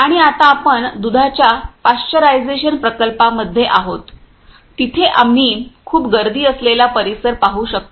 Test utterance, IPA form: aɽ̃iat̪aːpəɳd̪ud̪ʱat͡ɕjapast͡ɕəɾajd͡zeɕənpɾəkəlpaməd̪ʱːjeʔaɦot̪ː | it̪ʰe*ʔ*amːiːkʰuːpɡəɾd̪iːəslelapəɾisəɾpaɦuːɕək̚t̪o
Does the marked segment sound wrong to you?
no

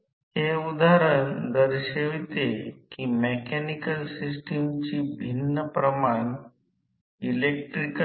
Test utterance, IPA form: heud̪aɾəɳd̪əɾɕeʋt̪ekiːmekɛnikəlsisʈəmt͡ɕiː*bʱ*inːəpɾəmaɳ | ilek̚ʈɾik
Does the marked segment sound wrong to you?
no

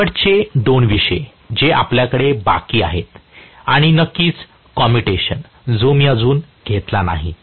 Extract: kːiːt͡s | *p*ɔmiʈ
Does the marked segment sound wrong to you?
yes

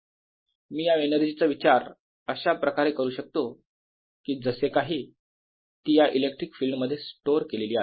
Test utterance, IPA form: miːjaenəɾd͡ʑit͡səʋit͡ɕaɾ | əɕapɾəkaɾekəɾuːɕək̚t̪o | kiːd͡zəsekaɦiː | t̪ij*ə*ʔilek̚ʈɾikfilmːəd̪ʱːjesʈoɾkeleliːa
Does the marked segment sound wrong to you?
yes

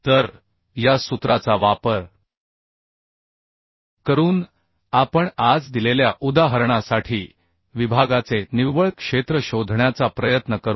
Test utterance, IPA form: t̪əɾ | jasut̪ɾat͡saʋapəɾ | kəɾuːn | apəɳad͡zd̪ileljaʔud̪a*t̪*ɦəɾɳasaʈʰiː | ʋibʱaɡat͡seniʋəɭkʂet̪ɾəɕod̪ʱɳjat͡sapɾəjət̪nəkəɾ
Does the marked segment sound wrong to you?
yes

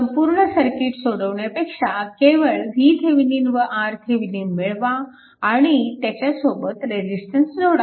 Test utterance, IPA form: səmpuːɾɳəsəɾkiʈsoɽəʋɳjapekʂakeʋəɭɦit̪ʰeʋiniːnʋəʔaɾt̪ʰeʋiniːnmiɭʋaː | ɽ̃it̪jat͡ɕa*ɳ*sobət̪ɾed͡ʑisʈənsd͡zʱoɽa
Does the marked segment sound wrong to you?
yes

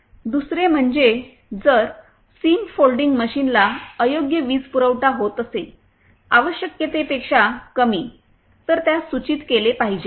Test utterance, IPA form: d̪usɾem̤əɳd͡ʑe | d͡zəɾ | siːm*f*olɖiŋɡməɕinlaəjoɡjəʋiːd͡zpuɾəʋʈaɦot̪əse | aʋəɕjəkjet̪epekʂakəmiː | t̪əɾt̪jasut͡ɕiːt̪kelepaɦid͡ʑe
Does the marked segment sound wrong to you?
no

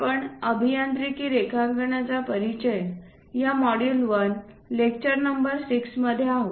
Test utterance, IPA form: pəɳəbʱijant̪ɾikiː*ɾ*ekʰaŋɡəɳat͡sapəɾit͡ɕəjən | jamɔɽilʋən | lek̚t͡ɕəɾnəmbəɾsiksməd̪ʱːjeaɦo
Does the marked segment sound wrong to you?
no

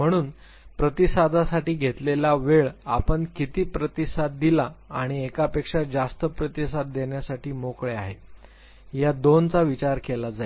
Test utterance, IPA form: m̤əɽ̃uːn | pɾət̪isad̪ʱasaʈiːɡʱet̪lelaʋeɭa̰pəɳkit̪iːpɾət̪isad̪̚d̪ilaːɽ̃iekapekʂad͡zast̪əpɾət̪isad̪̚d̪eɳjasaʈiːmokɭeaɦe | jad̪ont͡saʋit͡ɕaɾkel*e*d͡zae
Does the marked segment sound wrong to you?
yes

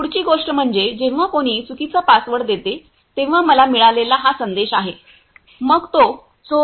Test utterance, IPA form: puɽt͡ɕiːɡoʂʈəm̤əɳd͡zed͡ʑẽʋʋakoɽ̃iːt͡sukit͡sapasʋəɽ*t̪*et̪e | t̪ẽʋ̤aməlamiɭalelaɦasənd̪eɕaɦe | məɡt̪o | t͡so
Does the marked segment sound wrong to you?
yes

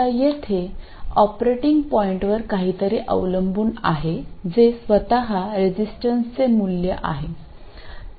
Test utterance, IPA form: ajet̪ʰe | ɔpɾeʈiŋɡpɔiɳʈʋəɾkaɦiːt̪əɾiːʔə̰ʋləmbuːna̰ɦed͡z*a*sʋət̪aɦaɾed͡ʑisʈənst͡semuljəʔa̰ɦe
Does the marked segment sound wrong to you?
yes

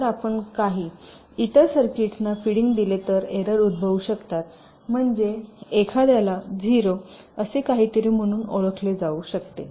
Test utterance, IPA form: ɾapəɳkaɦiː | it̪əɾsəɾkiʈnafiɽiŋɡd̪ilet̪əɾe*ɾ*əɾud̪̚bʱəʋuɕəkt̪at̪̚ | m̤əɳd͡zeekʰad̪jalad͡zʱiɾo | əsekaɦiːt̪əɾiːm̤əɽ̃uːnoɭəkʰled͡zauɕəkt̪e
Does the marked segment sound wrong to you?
no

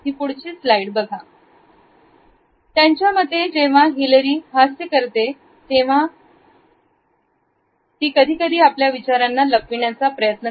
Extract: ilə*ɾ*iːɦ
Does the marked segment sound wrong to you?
no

